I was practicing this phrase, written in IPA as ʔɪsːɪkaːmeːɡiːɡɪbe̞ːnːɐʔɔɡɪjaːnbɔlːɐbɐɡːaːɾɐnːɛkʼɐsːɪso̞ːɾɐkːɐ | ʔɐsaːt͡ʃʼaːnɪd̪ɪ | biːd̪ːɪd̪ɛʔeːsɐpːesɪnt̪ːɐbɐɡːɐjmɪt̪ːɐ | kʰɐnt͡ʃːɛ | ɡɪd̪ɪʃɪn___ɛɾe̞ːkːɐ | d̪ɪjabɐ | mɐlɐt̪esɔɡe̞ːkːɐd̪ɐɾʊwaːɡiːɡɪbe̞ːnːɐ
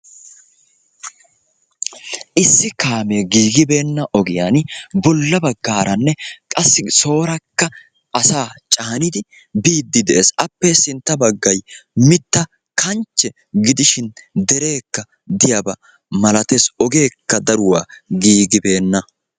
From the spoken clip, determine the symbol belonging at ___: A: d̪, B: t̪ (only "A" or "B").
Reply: A